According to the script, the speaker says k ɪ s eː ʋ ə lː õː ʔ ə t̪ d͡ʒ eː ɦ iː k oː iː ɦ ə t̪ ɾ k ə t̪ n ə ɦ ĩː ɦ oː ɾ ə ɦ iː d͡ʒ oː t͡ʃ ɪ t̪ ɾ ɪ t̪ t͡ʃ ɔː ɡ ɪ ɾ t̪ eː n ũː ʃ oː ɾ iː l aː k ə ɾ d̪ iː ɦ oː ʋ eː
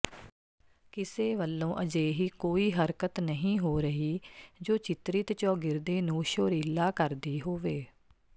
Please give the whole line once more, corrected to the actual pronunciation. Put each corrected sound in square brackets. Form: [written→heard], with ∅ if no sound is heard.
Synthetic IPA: k ɪ s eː ʋ ə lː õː ʔ ə [t̪→∅] d͡ʒ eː ɦ iː k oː iː ɦ ə [t̪→∅] ɾ k ə t̪ n ə ɦ ĩː ɦ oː ɾ ə ɦ iː d͡ʒ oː t͡ʃ ɪ t̪ ɾ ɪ t̪ t͡ʃ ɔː ɡ ɪ ɾ [t̪→d̪] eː n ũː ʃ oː ɾ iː l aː k ə ɾ d̪ iː ɦ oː ʋ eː